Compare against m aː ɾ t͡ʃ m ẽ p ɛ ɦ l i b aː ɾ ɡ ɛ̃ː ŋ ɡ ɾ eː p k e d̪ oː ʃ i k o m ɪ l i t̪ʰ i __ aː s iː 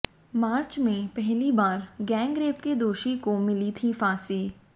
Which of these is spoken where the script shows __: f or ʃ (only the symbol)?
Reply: f